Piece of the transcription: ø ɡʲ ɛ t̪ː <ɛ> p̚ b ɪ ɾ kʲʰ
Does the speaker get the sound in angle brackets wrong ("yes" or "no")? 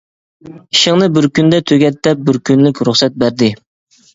no